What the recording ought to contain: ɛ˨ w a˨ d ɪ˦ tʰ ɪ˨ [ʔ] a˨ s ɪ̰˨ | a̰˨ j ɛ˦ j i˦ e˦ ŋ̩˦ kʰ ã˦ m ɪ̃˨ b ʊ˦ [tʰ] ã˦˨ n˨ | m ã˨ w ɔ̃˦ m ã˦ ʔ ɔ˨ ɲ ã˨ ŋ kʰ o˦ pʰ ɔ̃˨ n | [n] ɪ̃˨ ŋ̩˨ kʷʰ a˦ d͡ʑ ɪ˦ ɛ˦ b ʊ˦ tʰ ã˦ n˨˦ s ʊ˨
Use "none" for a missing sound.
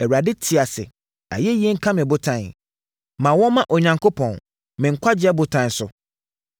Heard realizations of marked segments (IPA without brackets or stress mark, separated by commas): none, tʰ, m